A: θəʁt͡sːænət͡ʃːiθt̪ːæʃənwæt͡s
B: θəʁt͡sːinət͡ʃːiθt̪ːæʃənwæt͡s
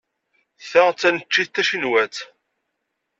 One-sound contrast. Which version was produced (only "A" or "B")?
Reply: A